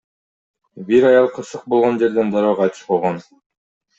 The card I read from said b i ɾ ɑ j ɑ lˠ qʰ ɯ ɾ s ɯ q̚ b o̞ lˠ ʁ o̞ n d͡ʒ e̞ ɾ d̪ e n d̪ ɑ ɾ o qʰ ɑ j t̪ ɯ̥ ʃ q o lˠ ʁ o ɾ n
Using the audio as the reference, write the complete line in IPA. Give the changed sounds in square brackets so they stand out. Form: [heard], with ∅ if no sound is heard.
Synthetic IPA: b i ɾ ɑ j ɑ lˠ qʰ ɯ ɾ s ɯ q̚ b o̞ lˠ ʁ o̞ n d͡ʒ e̞ ɾ d̪ e n d̪ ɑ ɾ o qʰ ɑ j t̪ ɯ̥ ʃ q o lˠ ʁ o [∅] n

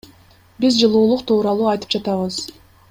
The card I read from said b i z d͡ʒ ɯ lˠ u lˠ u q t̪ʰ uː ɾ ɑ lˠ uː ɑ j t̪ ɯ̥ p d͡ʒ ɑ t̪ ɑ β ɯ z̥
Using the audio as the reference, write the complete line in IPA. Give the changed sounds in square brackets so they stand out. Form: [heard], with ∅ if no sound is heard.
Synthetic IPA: b i z d͡ʒ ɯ lˠ [uː] lˠ u q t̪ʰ uː ɾ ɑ lˠ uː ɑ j t̪ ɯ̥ p d͡ʒ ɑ t̪ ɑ β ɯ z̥

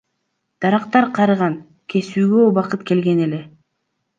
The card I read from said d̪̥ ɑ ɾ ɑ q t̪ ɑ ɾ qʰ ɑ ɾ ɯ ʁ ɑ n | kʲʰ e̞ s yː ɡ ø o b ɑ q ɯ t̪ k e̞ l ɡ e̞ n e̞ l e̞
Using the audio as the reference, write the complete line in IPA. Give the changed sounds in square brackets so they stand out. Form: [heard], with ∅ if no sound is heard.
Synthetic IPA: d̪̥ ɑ ɾ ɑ q t̪ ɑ ɾ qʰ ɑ ɾ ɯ ʁ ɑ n | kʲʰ e̞ s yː ɡ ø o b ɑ q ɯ t̪ k e̞ l ɡ e̞ n e̞ l e̞

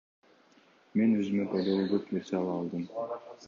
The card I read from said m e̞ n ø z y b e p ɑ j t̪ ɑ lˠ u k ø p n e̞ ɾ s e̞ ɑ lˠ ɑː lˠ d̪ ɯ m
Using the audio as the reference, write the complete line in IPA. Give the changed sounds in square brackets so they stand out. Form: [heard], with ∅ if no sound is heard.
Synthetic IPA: m e̞ n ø z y [m] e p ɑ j [d̪] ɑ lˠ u [ɡ] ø p n e̞ ɾ s e̞ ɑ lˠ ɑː lˠ d̪ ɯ m

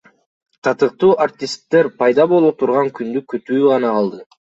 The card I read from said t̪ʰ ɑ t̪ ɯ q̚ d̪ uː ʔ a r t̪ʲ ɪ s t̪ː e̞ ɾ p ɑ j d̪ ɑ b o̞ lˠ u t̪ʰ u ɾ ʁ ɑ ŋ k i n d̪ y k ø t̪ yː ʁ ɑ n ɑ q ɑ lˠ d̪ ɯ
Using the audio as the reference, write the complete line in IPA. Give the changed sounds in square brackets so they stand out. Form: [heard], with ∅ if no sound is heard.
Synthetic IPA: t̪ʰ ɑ t̪ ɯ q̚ [t̪] uː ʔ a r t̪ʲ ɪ s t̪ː e̞ ɾ p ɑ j d̪ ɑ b o̞ lˠ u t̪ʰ u ɾ ʁ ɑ ŋ k [y] n d̪ y k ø t̪ yː ʁ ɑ n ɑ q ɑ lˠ d̪ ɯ

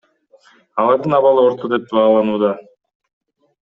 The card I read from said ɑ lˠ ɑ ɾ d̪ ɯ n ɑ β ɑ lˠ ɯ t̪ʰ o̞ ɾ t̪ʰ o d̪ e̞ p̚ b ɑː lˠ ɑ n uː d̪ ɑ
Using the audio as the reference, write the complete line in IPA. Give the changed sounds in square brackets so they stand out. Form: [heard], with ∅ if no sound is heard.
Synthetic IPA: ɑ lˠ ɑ ɾ d̪ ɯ n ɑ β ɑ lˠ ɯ [∅] o̞ ɾ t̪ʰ o d̪ e̞ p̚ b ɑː lˠ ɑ n uː d̪ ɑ

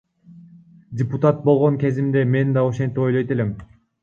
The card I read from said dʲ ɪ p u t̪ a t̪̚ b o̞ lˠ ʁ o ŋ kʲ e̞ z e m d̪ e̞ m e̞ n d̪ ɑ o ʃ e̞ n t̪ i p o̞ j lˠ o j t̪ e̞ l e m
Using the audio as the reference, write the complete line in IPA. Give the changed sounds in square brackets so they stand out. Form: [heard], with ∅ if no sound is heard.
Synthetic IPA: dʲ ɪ p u t̪ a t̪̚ b o̞ lˠ ʁ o ŋ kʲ e̞ z [i] m d̪ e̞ m e̞ n d̪ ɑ o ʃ e̞ n t̪ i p o̞ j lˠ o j t̪ e̞ l e m

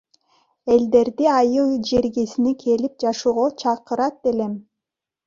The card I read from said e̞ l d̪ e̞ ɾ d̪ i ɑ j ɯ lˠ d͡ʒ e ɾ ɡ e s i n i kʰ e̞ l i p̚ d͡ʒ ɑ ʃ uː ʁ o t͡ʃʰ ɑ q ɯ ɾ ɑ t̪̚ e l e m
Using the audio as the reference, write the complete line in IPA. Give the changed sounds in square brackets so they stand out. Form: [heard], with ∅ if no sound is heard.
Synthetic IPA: e̞ l d̪ e̞ ɾ d̪ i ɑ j ɯ lˠ d͡ʒ e ɾ ɡ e s i n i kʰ e̞ l i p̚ d͡ʒ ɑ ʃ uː ʁ o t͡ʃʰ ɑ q ɯ ɾ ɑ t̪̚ e l e m

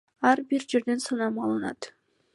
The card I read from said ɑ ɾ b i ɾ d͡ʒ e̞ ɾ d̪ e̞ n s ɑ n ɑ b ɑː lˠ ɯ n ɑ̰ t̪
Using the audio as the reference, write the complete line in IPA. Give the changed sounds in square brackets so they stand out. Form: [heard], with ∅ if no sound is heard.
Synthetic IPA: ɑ ɾ b i ɾ d͡ʒ e̞ ɾ d̪ e̞ n s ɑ n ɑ [m] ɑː lˠ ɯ n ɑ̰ t̪

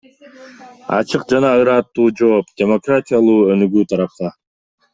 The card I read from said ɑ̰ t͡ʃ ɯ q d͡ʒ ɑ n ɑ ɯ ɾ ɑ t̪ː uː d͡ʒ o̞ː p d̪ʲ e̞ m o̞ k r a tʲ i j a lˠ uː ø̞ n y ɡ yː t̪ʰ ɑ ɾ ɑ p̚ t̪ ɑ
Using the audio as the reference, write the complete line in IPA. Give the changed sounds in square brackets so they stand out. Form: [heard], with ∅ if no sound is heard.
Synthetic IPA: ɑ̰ t͡ʃ ɯ q d͡ʒ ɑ n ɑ ɯ ɾ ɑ t̪ː uː d͡ʒ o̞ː p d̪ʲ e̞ m o̞ k r a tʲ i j a lˠ uː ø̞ n y ɡ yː t̪ʰ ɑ ɾ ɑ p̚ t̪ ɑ

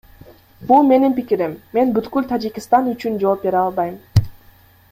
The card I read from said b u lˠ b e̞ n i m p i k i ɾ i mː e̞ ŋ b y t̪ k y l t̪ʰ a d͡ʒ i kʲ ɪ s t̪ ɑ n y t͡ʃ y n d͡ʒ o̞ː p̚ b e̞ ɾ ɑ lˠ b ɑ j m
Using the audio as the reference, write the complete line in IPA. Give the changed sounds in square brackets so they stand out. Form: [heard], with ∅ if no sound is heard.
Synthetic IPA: b u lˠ [m] e̞ n i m p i k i ɾ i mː e̞ [n] b y t̪ k y l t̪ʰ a d͡ʒ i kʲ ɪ s t̪ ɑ n y t͡ʃ y n d͡ʒ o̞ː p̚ b e̞ ɾ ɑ lˠ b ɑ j m

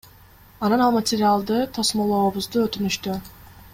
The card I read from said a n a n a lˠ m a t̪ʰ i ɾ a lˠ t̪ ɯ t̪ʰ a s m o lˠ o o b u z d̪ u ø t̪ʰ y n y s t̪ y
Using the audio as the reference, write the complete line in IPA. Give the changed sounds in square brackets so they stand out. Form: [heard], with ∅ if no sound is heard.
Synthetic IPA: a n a n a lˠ m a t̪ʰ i ɾ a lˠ [d̪] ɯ t̪ʰ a s m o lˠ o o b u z d̪ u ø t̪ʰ y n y [ʃ] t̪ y

